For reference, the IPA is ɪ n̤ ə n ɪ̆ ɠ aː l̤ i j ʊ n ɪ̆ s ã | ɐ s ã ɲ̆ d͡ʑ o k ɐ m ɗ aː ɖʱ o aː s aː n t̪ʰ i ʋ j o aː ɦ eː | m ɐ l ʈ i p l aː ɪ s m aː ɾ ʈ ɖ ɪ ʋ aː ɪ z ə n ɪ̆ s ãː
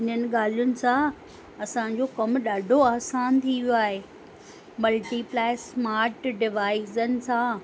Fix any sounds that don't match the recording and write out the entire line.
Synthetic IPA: ɪ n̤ ə n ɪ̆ ɠ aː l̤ i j ʊ n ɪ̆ s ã | ɐ s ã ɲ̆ d͡ʑ o k ɐ m ɗ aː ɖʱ o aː s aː n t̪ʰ i ʋ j o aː ɦ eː | m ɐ l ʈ i p l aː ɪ s m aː ɾ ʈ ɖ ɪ ʋ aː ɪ z ə n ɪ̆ s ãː